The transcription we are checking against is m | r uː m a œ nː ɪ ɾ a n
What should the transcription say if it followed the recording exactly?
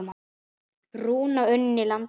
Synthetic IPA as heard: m | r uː n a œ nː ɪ l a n